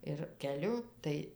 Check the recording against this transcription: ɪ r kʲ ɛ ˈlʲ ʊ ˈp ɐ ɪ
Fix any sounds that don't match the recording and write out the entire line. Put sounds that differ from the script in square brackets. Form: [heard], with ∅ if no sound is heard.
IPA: ɪ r kʲ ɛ ˈlʲ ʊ [ˈt] ɐ ɪ